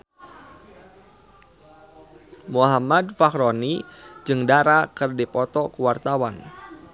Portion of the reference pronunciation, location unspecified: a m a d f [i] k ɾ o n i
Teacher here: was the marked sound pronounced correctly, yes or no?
no